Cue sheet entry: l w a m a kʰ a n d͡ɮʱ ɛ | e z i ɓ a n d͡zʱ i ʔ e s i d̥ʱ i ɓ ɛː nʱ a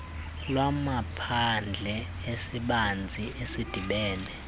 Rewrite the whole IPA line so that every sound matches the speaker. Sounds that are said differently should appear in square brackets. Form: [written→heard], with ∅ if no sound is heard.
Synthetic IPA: l w a m a [kʰ→pʰ] a n d͡ɮʱ ɛ | e [z→s] i ɓ a n d͡zʱ i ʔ e s i d̥ʱ i ɓ ɛː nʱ [a→ɛ]

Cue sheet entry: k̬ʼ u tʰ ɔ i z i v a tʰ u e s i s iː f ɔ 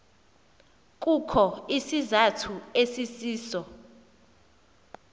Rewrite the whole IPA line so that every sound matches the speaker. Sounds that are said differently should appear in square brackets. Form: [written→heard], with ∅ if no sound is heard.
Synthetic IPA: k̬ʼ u [tʰ→kʰ] ɔ i [z→s] i [v→z] a tʰ u e s i s iː [f→s] ɔ

